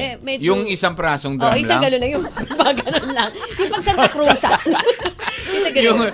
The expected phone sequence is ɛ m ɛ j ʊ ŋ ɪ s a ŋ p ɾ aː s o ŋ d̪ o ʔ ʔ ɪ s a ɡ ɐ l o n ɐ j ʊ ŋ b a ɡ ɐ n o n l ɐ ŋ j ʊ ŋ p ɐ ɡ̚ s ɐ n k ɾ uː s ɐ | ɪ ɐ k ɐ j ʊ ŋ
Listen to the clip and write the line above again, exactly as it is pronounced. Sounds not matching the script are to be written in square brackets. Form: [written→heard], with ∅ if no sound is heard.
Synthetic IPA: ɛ m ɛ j ʊ ŋ ɪ s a ŋ p ɾ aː s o ŋ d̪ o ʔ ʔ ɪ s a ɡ ɐ l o n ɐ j ʊ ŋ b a ɡ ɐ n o n l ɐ ŋ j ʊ ŋ p ɐ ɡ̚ s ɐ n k ɾ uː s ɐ | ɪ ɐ [k→ɡ] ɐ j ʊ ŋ